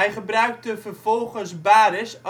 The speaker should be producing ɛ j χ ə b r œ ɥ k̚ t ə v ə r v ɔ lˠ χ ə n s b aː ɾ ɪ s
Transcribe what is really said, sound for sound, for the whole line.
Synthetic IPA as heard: ɛ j χ ə b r œ ɥ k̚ t ə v ə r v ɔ lˠ χ ə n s b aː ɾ ɪ s